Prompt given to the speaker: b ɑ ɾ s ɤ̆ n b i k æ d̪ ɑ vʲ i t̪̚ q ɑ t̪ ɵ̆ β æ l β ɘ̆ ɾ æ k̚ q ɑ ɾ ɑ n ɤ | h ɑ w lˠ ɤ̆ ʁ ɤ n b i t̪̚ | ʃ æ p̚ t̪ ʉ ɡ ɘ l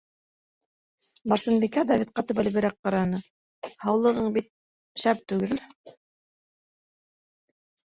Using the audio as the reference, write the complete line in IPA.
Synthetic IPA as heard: b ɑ ɾ s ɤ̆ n b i k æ d̪ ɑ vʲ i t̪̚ q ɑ t̪ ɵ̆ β æ l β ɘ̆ ɾ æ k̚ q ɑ ɾ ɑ n ɤ | h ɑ w lˠ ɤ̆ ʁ ɤ ɴ b i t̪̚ | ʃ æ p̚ t̪ ʉ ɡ ɘ l